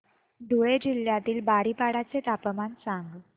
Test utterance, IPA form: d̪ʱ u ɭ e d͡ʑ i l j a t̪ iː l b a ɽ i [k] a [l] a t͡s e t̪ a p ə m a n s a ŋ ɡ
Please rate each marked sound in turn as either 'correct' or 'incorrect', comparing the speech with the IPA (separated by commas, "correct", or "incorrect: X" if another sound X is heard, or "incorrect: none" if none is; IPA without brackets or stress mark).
incorrect: p, incorrect: ɽ